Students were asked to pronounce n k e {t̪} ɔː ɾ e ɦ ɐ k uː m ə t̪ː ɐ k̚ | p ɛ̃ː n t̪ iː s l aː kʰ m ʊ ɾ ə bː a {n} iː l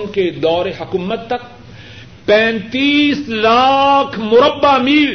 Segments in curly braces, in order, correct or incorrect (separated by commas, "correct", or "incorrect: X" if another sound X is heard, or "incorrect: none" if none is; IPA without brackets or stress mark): incorrect: d̪, incorrect: m